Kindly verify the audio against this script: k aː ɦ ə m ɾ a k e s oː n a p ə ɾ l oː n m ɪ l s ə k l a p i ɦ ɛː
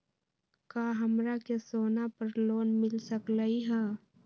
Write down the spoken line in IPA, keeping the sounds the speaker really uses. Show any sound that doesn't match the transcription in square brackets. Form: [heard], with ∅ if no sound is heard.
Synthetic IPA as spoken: k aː ɦ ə m ɾ a k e s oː n a p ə ɾ l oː n m ɪ l s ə k l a [∅] i ɦ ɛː